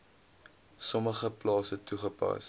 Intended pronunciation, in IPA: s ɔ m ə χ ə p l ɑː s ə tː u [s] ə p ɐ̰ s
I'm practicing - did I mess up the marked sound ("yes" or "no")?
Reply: yes